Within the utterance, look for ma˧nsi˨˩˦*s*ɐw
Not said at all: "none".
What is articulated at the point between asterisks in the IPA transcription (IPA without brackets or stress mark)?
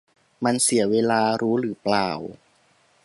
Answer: none